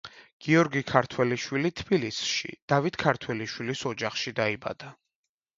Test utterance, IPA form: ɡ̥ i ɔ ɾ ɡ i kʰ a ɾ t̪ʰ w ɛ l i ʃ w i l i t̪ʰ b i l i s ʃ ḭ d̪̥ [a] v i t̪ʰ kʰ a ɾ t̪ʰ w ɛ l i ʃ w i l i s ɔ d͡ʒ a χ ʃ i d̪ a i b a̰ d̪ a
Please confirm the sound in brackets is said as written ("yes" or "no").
yes